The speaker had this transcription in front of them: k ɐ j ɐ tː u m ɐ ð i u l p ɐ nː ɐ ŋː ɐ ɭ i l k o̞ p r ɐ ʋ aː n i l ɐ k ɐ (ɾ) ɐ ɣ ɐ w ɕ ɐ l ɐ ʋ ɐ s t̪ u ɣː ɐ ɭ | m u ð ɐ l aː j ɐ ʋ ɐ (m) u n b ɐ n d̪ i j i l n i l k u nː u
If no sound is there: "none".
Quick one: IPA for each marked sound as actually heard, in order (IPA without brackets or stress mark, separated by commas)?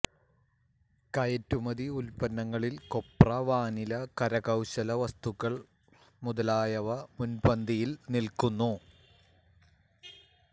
ɾ, m